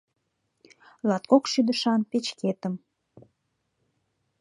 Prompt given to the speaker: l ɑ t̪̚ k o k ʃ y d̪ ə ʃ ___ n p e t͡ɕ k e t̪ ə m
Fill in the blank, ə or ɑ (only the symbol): ɑ